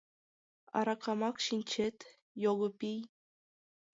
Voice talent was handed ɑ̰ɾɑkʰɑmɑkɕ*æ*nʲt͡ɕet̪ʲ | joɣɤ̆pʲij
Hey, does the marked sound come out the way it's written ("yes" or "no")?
no